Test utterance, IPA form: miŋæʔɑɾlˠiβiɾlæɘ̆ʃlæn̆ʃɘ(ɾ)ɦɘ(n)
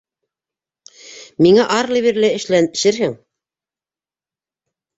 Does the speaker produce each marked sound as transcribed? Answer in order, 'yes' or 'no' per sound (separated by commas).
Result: yes, no